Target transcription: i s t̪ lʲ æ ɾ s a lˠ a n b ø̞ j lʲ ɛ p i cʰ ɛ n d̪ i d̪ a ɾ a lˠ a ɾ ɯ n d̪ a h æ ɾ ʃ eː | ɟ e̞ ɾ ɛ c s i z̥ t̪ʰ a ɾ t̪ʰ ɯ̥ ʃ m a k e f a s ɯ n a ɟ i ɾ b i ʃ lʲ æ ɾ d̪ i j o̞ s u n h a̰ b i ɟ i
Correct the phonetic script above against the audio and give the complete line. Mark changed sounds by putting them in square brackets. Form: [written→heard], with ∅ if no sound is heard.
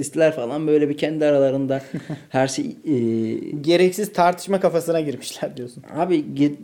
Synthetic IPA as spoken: i s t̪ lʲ æ ɾ [s→f] a lˠ a n b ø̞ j lʲ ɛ [p→b] i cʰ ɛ n d̪ i [d̪→∅] a ɾ a lˠ a ɾ ɯ n d̪ a h æ ɾ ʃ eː | ɟ e̞ ɾ ɛ c s i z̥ t̪ʰ a ɾ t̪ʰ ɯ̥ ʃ m a k [e→a] f a s ɯ n a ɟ i ɾ [b→m] i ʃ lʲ æ ɾ d̪ i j o̞ s u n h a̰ b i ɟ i